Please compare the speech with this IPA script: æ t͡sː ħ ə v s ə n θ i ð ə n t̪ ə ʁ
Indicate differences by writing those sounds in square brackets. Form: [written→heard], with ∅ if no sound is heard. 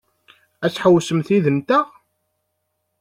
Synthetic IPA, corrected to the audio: æ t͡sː ħ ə [v→w] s ə [n→m] θ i ð ə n t̪ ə ʁ